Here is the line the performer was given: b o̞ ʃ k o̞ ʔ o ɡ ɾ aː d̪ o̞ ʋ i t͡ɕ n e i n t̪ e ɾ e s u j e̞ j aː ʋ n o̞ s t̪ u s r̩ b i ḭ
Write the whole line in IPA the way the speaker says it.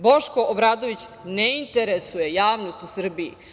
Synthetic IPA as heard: b o̞ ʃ k o̞ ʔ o b ɾ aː d̪ o̞ ʋ i t͡ɕ n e i n t̪ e ɾ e s u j e̞ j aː ʋ n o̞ s t̪ u s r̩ b i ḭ